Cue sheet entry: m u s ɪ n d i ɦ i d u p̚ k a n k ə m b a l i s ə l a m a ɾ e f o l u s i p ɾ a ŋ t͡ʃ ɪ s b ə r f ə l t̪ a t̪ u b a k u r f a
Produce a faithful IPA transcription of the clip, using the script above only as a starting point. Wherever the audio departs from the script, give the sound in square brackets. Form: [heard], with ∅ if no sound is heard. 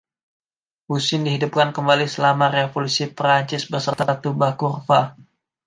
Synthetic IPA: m u s ɪ n d i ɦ i d u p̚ k a n k ə m b a l i s ə l a m a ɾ e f o l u s i p ɾ a [ɲ] t͡ʃ ɪ s b ə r [s] ə [r] t̪ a t̪ u b a k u r f a